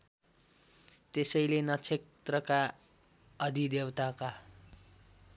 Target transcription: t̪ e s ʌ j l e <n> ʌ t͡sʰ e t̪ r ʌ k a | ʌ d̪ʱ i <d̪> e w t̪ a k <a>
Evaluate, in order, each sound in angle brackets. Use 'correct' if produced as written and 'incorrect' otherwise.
correct, correct, correct

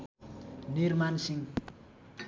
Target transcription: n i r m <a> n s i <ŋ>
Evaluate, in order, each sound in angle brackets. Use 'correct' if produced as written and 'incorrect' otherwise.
correct, correct

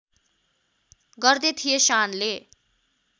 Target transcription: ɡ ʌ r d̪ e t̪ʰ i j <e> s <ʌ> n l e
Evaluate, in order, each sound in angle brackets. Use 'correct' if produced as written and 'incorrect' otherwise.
correct, incorrect: a

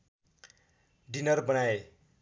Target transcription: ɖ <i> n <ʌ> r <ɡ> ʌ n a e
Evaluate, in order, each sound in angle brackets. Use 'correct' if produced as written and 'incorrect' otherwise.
correct, correct, incorrect: b

